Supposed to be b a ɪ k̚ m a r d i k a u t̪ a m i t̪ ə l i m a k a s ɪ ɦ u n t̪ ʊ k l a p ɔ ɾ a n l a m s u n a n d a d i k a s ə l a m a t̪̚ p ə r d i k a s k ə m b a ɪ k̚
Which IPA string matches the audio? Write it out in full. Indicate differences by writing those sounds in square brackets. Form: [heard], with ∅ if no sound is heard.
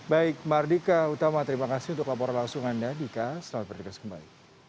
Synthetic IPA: b a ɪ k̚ m a r d i k a u t̪ a m [a] t̪ ə [ɾ] i m a k a s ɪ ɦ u n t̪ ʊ k l a p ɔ ɾ a n l a [ŋ] s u [ŋ] a n d a d i k a s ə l a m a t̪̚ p ə r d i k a s k ə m b a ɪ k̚

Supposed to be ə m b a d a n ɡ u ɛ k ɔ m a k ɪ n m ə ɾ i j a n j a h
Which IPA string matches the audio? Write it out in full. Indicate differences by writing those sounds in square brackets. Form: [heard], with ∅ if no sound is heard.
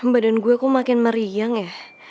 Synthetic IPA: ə m b a d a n ɡ u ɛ k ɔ m a k ɪ n m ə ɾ i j a [ŋ] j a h

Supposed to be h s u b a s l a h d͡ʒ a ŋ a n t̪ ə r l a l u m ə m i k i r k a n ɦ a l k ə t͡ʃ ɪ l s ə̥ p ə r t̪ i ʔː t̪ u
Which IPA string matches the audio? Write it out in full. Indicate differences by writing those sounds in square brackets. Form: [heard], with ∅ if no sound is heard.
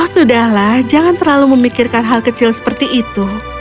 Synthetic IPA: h s u [d] a [h] l a h d͡ʒ a ŋ a n t̪ ə r l a l u m ə m i k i r k a n ɦ a l k ə t͡ʃ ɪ l s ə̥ p ə r t̪ i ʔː t̪ u

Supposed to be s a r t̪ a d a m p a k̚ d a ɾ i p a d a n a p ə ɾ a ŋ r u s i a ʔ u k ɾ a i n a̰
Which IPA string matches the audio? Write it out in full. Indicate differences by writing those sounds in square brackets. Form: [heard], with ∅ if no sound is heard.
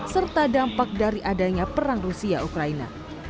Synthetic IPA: s [ə] r t̪ a d a m p a k̚ d a ɾ i [ʔ] a d a [ɲ] a p ə ɾ a ŋ r u s i a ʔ u k ɾ a i n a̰

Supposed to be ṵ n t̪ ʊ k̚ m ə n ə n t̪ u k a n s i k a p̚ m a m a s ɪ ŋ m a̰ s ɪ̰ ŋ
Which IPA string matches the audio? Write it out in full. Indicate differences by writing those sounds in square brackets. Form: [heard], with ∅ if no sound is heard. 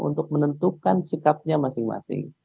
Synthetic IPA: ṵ n t̪ ʊ k̚ m ə n ə n t̪ u k a n s i k a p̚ [ɲ] a m a s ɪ ŋ m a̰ s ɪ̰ ŋ

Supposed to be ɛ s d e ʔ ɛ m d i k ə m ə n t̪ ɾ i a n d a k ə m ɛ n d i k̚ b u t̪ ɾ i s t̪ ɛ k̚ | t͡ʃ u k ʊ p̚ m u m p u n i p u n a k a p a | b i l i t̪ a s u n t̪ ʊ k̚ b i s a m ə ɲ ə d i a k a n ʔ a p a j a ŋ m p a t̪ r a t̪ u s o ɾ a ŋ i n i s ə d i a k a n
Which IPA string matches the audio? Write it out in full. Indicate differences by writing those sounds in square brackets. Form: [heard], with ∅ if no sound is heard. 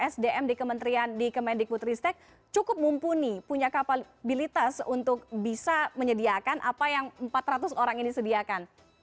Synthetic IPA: ɛ s d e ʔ ɛ m d i k ə m ə n t̪ ɾ i a n d [i] k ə m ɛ n d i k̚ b u t̪ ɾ i s t̪ ɛ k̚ | t͡ʃ u k ʊ p̚ m u m p u n i p u [ɲ] a k a p a | b i l i t̪ a s u n t̪ ʊ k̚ b i s a m ə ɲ ə d i a k a n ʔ a p a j a ŋ m p a t̪ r a t̪ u s o ɾ a ŋ i n i s ə d i a k a n

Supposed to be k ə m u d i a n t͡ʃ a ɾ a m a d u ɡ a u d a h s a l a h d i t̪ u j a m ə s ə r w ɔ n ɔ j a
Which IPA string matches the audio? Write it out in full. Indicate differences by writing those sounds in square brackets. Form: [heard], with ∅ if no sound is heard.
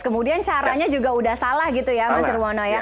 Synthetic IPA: k ə m u d i a n t͡ʃ a ɾ a [ɲ] a [d͡ʒ] u ɡ a u d a h s a l a h [ɡ] i t̪ u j a m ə s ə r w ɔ n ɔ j a

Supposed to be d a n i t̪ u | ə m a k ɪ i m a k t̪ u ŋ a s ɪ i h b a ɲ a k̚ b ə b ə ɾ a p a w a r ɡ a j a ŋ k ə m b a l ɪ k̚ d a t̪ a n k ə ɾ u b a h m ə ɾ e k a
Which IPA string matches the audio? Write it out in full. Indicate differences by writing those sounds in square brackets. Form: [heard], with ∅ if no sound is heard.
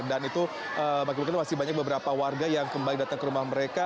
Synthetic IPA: d a n i t̪ u | ə m a k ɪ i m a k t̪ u [m] a s ɪ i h b a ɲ a k̚ b ə b ə ɾ a p a w a r ɡ a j a ŋ k ə m b a l ɪ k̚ d a t̪ a [ŋ] k ə ɾ u [m] a h m ə ɾ e k a

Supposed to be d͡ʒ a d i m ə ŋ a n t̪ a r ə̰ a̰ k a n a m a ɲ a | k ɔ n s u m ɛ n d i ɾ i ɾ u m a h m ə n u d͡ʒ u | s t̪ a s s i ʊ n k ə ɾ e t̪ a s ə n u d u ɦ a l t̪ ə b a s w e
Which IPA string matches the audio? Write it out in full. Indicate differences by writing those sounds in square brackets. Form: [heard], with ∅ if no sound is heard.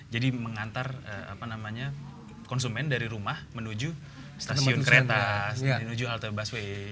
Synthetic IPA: d͡ʒ a d i m ə ŋ a n t̪ a r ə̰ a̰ [p] a n a m a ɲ a | k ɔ n s u m ɛ n d [a] ɾ i ɾ u m a h m ə n u d͡ʒ u | s t̪ a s s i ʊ n k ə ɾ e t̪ a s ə n u [d͡ʒ] u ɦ a l t̪ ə b a s w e

